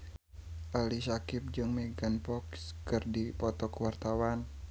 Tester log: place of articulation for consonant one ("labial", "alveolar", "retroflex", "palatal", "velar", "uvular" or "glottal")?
glottal